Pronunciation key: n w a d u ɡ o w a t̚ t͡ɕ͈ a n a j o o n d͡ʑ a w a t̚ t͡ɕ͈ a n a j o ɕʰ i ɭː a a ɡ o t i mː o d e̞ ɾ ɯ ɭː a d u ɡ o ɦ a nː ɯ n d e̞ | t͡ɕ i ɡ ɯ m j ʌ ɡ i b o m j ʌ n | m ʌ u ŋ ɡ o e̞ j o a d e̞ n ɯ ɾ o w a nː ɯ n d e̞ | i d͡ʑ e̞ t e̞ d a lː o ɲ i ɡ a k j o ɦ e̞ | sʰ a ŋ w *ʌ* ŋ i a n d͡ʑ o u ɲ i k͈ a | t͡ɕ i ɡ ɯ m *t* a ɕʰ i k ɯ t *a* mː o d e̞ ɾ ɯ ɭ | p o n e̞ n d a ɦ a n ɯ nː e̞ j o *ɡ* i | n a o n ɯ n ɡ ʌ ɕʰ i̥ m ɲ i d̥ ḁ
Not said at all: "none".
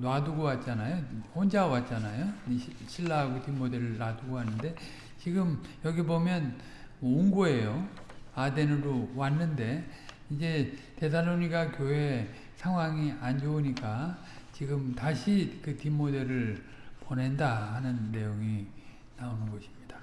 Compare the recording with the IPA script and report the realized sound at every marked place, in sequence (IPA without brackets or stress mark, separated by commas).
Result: a, t, i, ŋ